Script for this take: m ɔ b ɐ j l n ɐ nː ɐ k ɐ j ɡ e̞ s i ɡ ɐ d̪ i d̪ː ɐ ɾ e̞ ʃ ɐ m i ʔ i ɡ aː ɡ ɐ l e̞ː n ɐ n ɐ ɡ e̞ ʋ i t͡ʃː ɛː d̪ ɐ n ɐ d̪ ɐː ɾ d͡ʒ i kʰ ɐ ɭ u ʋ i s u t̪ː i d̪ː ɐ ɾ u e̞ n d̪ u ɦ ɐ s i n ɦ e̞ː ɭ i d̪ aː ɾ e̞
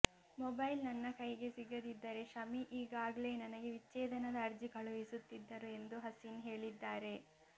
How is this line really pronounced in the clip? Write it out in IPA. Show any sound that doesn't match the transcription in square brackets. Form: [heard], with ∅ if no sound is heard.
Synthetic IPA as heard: m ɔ b ɐ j l n ɐ nː ɐ k ɐ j ɡ e̞ s i ɡ ɐ d̪ i d̪ː ɐ ɾ e̞ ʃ ɐ m i ʔ [iː] ɡ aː ɡ ɐ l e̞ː n ɐ n ɐ ɡ e̞ ʋ i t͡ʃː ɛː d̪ ɐ n ɐ d̪ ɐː ɾ d͡ʒ i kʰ ɐ ɭ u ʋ i s u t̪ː i d̪ː ɐ ɾ u e̞ n d̪ u ɦ ɐ s i n ɦ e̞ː ɭ i [d̪ː] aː ɾ e̞